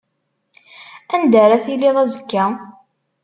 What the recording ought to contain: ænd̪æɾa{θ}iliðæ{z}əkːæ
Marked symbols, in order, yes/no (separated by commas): yes, yes